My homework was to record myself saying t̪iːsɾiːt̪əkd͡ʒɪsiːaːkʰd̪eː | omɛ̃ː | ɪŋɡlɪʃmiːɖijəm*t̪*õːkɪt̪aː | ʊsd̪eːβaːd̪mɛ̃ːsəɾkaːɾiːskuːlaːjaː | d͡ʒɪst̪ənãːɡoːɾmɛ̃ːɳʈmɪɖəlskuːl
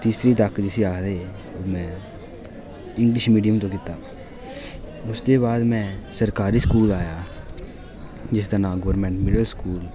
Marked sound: correct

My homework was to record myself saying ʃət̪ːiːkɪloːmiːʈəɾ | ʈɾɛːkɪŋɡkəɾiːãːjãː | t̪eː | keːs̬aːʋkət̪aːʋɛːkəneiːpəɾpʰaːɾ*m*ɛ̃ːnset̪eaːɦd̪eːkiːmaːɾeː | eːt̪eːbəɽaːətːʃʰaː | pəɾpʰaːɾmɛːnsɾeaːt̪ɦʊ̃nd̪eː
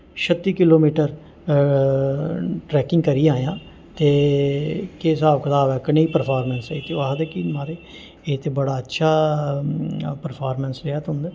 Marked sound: correct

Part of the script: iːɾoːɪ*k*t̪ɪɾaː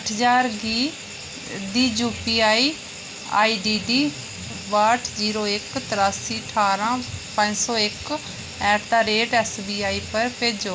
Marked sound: correct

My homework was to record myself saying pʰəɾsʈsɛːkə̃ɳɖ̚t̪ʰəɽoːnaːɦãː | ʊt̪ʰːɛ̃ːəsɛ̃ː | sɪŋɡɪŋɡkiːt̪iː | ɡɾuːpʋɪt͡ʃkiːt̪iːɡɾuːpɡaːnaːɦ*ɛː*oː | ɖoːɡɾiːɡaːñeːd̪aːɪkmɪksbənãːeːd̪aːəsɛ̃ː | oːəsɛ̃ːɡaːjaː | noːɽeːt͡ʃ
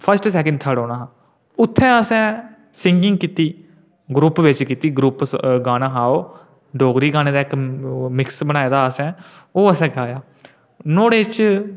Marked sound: incorrect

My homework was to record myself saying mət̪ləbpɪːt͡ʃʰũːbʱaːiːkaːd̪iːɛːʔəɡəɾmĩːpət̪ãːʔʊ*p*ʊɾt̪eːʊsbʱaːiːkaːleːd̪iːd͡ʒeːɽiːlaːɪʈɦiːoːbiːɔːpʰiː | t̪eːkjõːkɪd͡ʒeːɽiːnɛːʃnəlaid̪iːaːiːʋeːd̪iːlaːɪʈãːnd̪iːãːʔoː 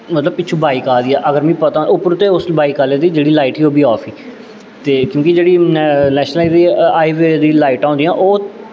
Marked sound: correct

